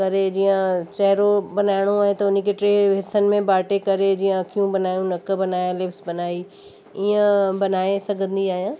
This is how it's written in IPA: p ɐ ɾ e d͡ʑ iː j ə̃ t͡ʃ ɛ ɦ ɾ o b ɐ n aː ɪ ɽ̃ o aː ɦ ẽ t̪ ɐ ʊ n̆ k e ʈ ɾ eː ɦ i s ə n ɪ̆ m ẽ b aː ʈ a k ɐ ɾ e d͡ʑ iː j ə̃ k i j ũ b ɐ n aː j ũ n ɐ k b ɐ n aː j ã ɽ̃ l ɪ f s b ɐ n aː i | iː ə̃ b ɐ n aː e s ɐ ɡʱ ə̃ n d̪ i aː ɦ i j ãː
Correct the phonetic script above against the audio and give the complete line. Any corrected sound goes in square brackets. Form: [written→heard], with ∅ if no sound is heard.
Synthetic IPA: [p→k] ɐ ɾ e d͡ʑ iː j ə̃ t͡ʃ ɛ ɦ ɾ o b ɐ n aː ɪ ɽ̃ o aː ɦ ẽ t̪ ɐ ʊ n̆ k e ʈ ɾ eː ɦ [i→ɪ] s ə n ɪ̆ m ẽ b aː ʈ [a→e] k ɐ ɾ e d͡ʑ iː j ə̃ k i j ũ b ɐ n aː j ũ n ɐ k b ɐ n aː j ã [ɽ̃→∅] l ɪ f s b ɐ n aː i | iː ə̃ b ɐ n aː e s ɐ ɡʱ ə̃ n d̪ i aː ɦ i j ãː